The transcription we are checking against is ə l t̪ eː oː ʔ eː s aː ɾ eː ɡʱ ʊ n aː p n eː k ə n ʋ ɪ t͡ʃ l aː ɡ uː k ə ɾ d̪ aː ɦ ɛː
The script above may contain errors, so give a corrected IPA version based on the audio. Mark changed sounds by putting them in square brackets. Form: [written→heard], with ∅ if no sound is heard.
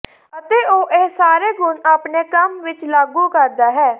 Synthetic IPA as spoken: ə [l→∅] t̪ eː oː ʔ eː s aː ɾ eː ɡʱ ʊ n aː p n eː k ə [n→m] ʋ ɪ t͡ʃ l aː ɡ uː k ə ɾ d̪ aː ɦ ɛː